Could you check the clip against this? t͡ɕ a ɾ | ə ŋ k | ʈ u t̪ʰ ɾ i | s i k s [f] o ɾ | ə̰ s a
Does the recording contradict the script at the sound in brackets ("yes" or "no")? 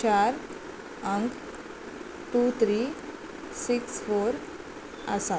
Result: no